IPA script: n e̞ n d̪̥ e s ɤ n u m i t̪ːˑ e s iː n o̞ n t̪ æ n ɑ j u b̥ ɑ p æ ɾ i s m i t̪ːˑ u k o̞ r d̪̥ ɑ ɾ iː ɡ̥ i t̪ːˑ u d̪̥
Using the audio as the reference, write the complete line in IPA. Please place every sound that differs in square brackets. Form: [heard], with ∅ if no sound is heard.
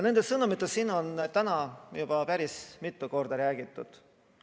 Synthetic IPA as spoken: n e̞ n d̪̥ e s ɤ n u m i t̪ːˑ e s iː n o̞ n t̪ æ n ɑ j u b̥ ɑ p æ ɾ i s m i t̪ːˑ u k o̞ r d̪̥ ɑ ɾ [æː] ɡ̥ i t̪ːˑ u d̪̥